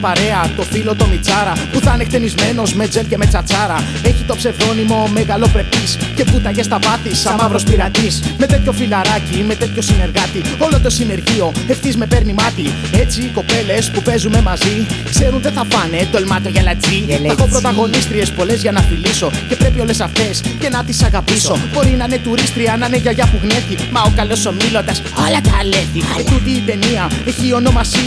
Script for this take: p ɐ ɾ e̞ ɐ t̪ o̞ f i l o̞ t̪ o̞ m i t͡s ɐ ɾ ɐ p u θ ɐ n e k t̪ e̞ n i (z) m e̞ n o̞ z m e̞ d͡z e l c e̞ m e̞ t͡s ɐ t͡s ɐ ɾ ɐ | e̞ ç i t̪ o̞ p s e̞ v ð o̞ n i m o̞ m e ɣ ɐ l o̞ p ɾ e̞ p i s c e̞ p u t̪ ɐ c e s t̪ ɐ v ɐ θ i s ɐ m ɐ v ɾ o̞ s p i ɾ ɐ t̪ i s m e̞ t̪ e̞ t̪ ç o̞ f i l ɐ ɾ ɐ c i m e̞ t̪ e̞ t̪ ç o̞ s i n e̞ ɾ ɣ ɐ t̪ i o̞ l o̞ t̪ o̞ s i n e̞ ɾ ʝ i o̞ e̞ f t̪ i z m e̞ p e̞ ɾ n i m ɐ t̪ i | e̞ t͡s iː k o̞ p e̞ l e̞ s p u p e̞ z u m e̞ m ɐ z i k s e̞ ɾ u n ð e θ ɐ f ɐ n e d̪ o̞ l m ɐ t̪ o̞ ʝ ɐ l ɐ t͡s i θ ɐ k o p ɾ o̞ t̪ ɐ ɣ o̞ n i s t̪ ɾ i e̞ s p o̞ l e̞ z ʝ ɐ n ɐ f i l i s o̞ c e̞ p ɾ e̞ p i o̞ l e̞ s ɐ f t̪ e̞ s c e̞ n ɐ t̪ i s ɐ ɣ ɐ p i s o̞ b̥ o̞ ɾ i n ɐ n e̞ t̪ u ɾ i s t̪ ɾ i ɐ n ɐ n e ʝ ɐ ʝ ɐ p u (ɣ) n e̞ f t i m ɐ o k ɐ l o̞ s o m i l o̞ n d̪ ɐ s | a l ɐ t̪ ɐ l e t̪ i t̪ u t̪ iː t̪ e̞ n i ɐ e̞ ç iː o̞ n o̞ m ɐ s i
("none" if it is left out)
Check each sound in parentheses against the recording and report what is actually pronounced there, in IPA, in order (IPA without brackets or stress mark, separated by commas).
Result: z, ɣ